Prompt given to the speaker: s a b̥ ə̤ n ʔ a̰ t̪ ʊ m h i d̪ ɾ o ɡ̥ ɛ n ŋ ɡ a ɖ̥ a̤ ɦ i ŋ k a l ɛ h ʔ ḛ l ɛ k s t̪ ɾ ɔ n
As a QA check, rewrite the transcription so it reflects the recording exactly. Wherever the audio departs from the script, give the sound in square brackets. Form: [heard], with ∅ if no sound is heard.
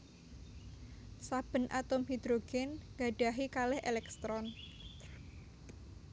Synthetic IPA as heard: s a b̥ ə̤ n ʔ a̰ t̪ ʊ m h i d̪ ɾ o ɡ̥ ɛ n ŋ ɡ a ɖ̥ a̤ ɦ i [∅] k a l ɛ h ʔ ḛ l ɛ k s t̪ ɾ ɔ n